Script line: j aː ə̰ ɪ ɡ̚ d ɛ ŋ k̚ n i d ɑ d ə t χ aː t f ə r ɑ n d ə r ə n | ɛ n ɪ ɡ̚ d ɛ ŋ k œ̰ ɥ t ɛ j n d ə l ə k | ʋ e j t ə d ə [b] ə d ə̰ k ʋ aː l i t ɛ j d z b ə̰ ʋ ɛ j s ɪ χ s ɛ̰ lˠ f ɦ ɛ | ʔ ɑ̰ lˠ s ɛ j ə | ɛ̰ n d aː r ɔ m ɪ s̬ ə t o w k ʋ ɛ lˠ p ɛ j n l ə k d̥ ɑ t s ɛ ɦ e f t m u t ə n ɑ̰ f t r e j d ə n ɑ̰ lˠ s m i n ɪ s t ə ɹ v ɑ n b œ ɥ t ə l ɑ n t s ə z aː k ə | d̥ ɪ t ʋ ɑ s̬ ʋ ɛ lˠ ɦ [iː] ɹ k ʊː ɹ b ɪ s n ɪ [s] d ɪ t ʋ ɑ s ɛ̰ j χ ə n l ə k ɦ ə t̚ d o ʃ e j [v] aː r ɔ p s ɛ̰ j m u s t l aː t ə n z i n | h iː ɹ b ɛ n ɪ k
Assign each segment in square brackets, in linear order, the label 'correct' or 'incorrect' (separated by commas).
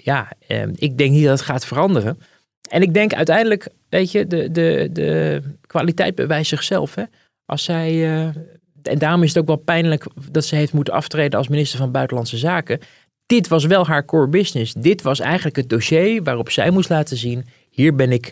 incorrect, incorrect, correct, incorrect